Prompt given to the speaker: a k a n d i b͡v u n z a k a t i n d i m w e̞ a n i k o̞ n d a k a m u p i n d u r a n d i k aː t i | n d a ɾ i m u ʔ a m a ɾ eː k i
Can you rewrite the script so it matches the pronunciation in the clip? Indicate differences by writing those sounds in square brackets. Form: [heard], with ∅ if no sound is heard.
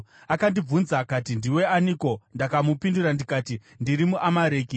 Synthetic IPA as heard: a k a n d i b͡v u n z a k a t i n d i [∅] w e̞ a n i k o̞ n d a k a m u p i n d u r a n d i k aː t i | n d [i] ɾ i m u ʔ a m a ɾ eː k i